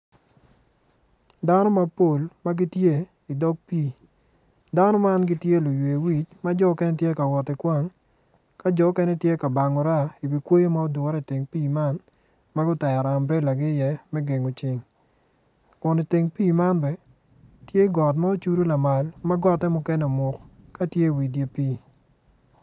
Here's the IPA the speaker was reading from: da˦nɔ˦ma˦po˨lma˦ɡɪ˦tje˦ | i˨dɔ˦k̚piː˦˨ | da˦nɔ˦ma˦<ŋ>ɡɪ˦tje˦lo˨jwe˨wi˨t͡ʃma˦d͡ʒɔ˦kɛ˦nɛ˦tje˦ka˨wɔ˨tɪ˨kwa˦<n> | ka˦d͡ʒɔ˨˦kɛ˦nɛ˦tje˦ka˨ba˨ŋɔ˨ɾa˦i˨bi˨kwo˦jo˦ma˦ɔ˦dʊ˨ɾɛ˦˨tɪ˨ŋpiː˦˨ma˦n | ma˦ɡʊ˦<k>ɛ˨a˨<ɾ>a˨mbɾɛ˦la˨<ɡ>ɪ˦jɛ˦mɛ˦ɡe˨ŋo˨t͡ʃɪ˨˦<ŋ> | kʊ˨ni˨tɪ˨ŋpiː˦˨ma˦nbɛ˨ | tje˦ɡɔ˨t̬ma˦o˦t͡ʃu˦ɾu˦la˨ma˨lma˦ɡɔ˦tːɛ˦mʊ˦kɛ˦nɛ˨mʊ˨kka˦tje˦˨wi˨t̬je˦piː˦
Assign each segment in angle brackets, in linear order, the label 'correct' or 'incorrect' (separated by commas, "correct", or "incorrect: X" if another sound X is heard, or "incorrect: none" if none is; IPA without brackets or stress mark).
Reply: incorrect: n, incorrect: ŋ, incorrect: t, correct, correct, correct